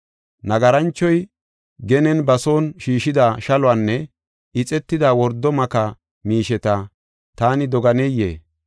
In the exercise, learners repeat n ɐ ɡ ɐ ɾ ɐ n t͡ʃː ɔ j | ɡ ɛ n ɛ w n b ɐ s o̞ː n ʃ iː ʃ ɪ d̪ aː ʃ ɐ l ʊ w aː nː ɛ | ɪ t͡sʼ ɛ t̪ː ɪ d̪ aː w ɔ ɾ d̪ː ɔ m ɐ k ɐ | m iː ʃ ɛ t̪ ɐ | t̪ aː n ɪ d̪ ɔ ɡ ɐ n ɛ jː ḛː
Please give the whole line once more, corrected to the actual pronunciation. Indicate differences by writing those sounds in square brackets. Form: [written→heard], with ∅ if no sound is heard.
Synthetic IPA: n ɐ ɡ ɐ ɾ ɐ n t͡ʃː ɔ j | ɡ ɛ n ɛ [w→∅] n b ɐ s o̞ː n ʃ iː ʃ ɪ d̪ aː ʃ ɐ l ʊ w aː nː ɛ | ɪ t͡sʼ ɛ t̪ː ɪ d̪ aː w ɔ ɾ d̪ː ɔ m ɐ k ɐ | m iː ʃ ɛ t̪ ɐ | t̪ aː n ɪ d̪ ɔ ɡ ɐ n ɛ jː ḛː